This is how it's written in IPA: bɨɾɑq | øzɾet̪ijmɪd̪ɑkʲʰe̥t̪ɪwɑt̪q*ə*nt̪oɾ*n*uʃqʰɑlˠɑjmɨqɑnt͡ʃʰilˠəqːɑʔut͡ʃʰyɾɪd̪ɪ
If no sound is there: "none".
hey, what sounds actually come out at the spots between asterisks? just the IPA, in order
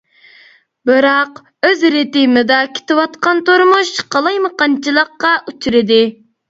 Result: ɑ, m

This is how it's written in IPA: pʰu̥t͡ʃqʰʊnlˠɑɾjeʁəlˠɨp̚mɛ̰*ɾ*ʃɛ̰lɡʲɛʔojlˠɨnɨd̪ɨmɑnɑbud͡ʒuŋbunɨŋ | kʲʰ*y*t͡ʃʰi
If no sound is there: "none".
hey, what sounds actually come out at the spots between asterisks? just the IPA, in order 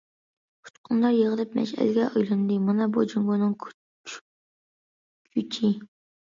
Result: none, y

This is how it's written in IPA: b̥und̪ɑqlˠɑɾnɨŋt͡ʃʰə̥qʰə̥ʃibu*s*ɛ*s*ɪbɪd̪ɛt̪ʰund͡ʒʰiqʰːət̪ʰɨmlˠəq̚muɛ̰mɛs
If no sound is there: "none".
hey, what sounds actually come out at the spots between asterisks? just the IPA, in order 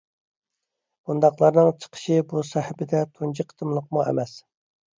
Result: s, h

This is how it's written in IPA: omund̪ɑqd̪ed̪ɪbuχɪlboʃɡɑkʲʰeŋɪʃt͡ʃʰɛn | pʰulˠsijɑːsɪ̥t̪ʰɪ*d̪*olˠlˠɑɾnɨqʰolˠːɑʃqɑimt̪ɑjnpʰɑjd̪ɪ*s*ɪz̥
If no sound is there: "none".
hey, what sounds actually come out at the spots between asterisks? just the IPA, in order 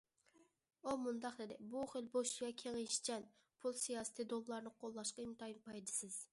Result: d̪, s

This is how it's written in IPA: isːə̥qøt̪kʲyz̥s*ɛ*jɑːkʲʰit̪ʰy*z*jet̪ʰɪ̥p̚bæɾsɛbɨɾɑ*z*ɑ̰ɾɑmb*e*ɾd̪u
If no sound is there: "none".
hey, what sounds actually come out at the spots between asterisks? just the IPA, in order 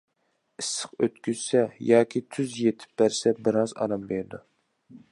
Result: ɛ, z, z, e

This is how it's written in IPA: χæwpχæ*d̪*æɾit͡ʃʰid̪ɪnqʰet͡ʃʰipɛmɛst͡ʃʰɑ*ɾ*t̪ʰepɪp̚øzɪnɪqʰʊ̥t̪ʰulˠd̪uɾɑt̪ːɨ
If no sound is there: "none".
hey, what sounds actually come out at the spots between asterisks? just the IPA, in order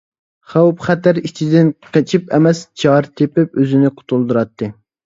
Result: t̪, ɾ

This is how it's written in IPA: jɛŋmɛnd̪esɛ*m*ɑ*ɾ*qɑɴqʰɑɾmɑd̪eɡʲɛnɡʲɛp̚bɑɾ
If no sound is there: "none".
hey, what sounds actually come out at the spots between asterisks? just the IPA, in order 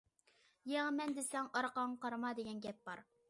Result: ŋ, ɾ

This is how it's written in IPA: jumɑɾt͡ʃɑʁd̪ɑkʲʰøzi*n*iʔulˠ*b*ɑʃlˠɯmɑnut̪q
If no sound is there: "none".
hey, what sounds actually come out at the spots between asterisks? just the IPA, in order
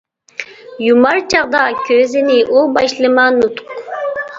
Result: n, b

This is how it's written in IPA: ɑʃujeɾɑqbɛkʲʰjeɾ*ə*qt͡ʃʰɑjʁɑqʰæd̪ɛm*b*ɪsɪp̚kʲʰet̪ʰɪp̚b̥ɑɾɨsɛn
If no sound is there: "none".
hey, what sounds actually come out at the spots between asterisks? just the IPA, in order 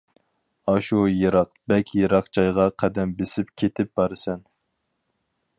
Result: ɑ, b

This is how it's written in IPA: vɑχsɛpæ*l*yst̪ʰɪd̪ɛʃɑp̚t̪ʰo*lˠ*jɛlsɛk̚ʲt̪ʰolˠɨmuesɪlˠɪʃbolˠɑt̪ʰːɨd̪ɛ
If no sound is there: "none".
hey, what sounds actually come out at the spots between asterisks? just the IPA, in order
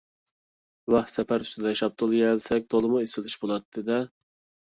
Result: ɾ, lˠ

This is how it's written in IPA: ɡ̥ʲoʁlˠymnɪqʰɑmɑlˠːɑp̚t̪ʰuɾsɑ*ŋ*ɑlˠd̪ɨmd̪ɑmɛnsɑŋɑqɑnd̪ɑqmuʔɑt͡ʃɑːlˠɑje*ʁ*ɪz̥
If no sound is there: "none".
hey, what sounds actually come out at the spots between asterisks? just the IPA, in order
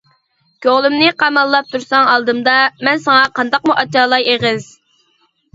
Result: ŋ, ʁ

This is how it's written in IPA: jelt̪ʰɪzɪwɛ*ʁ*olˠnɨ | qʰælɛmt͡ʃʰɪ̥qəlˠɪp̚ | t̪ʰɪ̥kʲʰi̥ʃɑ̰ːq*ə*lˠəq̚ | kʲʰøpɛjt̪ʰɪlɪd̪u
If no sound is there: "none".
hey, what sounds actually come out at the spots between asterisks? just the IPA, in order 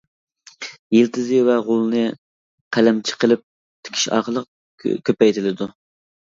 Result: ʁ, ə

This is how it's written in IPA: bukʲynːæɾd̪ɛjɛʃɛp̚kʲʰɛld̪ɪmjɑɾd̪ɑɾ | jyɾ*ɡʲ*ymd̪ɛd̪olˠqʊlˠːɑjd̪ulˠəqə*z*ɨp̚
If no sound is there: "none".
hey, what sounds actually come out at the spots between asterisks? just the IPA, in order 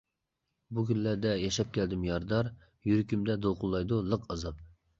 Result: kʲ, z

